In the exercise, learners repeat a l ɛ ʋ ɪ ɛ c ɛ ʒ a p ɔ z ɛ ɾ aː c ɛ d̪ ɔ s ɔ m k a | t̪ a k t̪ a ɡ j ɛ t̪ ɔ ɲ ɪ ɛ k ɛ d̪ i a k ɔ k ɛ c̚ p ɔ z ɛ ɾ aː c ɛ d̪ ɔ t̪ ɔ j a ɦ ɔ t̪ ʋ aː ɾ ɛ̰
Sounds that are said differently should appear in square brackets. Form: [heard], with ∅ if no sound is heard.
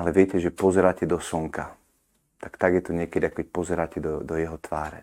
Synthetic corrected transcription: a l ɛ ʋ ɪ ɛ c ɛ ʒ [ɛ] p ɔ z ɛ ɾ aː c ɛ d̪ ɔ s ɔ [ŋ] k a | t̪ a k t̪ a ɡ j ɛ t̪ ɔ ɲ ɪ ɛ k ɛ d̪ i a k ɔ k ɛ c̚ p ɔ z ɛ ɾ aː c ɛ d̪ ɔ [d̪] ɔ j [ɛ] ɦ ɔ t̪ ʋ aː ɾ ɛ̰